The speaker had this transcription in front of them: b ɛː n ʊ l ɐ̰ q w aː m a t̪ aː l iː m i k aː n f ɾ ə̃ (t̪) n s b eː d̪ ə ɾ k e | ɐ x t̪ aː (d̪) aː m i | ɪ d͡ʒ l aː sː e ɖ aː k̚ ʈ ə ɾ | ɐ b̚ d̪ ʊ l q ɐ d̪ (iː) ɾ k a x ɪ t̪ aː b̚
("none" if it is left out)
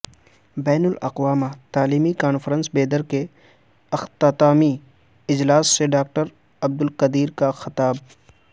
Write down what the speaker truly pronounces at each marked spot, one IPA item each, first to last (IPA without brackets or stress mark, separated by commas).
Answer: none, t̪, iː